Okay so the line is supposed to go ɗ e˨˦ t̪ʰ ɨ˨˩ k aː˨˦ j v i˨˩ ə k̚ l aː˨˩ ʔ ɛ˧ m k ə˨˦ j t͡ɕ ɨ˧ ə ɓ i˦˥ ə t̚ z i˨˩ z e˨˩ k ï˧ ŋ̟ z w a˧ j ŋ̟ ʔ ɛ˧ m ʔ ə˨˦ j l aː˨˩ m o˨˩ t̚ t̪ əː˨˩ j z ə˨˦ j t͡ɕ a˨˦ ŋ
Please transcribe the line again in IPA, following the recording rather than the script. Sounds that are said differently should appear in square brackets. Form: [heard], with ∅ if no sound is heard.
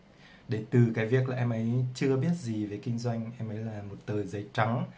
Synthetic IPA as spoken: ɗ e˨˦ [t̪] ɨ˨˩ k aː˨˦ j v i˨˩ ə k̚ l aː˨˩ ʔ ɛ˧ m [ʔ] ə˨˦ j t͡ɕ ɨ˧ ə ɓ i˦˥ ə t̚ z i˨˩ [v] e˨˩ k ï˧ ŋ̟ z w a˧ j ŋ̟ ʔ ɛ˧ m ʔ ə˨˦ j l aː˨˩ m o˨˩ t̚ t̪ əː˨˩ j z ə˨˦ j t͡ɕ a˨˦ ŋ